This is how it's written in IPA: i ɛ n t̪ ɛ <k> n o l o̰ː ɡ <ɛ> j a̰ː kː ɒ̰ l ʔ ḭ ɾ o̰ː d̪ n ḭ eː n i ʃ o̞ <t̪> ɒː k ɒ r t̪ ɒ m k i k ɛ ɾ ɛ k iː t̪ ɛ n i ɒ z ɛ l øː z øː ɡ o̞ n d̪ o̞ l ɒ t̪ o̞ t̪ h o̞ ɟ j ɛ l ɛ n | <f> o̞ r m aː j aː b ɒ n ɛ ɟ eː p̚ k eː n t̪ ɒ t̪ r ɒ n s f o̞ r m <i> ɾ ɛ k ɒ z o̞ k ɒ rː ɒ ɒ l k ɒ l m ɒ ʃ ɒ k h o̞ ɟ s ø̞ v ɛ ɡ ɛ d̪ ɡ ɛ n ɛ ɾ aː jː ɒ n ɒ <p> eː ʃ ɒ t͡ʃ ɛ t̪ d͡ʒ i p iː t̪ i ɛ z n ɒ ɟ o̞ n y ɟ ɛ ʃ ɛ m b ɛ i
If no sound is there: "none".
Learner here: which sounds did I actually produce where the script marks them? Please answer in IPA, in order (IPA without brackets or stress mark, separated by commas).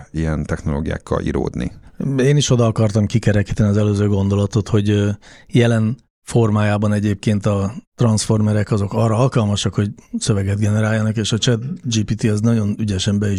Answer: x, i, d̪, f, ɛ, k